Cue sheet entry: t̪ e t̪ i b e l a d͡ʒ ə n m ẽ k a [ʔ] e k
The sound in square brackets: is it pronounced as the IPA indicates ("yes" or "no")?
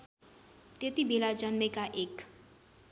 yes